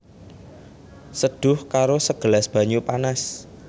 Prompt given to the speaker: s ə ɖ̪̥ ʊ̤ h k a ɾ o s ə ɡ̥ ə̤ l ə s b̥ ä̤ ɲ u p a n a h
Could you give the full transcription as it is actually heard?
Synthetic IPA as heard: s ə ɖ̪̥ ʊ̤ h k a ɾ o s ə ɡ̥ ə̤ l a s b̥ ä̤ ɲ u p a n a s